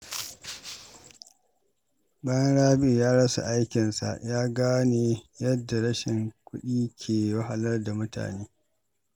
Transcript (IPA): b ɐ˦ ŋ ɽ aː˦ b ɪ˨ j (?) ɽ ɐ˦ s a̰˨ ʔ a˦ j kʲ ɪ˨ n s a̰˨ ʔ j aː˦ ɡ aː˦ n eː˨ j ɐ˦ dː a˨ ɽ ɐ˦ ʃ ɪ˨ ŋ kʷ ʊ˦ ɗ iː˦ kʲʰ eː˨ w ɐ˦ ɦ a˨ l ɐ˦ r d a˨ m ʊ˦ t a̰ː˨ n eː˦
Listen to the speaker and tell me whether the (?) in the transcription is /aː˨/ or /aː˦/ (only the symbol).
aː˦